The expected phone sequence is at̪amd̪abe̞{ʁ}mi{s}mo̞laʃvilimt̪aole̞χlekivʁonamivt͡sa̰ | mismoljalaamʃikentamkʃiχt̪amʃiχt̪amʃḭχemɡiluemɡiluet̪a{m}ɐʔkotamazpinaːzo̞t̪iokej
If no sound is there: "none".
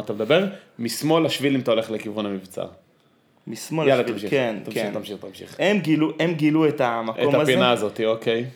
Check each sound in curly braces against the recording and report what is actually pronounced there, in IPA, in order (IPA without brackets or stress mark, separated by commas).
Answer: ʁ, s, m